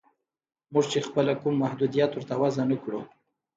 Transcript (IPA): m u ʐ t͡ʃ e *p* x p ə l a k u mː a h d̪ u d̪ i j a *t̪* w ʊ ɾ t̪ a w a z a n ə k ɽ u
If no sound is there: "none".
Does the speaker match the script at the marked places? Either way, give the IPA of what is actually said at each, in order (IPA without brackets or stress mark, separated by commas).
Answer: none, t̪